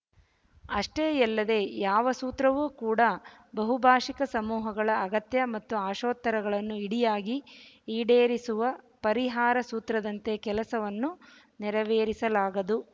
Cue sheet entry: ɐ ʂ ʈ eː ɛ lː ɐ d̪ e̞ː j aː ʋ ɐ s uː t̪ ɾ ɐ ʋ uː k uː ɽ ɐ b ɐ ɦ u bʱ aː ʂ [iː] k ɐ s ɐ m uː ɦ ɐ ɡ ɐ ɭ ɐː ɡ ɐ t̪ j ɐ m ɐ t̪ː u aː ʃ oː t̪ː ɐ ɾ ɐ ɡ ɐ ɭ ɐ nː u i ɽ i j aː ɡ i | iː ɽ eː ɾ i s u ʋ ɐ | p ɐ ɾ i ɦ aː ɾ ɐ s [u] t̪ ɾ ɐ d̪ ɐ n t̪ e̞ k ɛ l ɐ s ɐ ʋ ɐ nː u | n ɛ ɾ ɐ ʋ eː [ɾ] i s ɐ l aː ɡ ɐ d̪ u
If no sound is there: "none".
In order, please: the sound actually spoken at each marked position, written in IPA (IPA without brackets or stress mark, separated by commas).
i, uː, ɾ